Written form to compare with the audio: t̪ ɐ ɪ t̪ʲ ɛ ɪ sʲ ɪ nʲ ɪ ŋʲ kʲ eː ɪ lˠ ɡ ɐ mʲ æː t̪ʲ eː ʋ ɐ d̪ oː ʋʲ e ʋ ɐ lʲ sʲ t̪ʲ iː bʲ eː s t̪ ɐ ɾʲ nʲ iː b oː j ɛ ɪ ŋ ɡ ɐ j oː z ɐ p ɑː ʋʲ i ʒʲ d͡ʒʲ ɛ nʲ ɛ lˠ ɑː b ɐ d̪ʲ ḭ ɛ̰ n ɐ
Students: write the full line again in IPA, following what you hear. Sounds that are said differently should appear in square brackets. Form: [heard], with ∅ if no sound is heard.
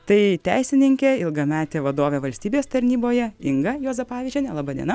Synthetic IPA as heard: t̪ ɐ ɪ t̪ʲ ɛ ɪ sʲ ɪ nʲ ɪ ŋʲ kʲ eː ɪ lˠ ɡ ɐ mʲ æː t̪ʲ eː ʋ ɐ d̪ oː ʋʲ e ʋ ɐ lʲ sʲ t̪ʲ iː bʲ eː s t̪ ɐ ɾʲ nʲ iː b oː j ɛ ɪ ŋ ɡ ɐ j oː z ɐ p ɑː ʋʲ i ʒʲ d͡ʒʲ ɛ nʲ ɛ lˠ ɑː b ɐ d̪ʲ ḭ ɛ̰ n ɐ